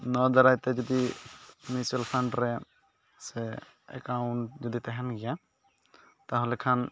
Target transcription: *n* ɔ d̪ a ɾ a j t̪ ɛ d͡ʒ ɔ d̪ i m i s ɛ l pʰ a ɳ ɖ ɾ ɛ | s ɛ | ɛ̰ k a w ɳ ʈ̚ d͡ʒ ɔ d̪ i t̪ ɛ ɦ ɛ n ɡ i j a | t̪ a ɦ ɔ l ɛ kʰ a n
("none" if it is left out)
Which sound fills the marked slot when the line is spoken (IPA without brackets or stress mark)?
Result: n